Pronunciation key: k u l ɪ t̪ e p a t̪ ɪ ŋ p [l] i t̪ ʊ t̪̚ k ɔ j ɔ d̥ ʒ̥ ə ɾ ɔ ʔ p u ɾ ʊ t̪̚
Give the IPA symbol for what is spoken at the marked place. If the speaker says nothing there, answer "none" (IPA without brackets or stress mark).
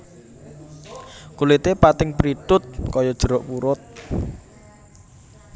ɾ